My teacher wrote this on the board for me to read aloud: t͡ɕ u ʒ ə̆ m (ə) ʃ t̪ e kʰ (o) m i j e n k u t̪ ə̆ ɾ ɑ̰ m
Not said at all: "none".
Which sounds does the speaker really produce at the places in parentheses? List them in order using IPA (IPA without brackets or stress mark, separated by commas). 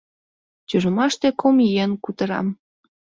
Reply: ɑ, o